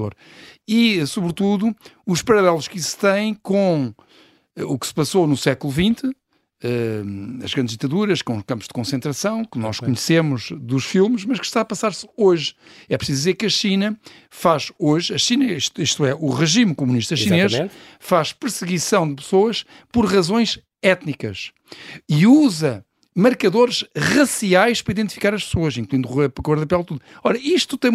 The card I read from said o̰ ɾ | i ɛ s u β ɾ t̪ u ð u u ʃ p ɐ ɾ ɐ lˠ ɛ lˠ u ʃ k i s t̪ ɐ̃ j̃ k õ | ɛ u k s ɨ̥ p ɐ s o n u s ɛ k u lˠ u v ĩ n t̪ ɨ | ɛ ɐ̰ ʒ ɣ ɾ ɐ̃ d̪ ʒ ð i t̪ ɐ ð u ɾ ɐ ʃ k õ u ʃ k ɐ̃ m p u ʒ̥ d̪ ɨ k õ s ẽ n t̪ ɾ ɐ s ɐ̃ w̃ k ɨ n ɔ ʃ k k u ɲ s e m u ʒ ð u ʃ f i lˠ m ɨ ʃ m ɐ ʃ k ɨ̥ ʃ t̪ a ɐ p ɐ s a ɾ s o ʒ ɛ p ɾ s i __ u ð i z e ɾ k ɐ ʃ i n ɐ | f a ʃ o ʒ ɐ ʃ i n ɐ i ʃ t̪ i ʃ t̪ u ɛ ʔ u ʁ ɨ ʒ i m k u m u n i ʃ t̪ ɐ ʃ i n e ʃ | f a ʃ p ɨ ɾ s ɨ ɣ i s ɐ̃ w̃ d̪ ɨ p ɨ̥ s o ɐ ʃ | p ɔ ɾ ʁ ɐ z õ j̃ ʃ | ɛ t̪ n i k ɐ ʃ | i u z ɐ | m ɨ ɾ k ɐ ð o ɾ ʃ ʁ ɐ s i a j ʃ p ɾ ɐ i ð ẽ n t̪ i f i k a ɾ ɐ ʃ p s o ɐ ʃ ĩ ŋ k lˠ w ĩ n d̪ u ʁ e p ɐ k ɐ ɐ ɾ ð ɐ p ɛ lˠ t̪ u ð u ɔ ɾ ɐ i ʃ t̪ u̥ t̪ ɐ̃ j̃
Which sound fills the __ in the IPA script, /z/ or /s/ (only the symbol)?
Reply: z